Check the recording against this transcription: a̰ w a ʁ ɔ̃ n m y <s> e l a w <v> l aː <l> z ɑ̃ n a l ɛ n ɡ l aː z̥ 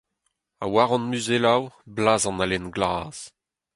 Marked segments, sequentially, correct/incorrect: incorrect, incorrect, incorrect

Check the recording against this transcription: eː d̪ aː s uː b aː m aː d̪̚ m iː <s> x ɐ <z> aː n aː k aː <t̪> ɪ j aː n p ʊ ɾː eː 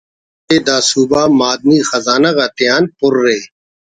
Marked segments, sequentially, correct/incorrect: incorrect, correct, correct

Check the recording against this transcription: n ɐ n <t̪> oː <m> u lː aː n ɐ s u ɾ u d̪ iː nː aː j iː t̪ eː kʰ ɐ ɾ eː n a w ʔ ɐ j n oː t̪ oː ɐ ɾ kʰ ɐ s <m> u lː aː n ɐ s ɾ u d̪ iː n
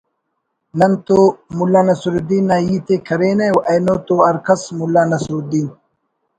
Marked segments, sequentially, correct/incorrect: correct, correct, correct

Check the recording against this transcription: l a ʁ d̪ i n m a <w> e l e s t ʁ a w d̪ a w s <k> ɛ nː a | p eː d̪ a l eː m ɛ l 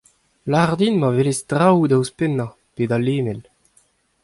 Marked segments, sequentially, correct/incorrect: incorrect, incorrect

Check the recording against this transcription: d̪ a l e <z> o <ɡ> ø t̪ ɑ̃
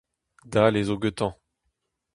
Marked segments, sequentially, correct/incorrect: correct, correct

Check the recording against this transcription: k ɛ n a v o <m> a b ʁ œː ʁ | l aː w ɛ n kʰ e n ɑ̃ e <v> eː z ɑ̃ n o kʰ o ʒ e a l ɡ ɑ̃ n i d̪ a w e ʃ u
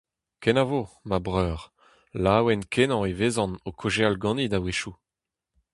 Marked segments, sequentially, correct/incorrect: correct, correct

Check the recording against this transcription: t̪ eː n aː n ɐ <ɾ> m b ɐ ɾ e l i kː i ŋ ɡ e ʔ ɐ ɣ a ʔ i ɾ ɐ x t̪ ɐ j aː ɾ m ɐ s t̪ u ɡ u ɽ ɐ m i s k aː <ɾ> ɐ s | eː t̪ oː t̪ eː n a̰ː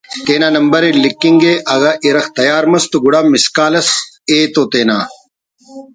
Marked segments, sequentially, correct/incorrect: incorrect, incorrect

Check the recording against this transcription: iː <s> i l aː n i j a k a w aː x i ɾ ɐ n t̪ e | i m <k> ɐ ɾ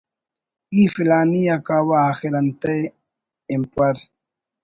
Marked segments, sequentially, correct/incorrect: incorrect, incorrect

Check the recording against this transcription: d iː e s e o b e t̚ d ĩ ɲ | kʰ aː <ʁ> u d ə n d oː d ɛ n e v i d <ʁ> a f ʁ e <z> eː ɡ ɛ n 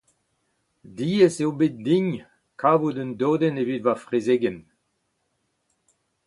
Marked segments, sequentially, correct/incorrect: incorrect, incorrect, correct

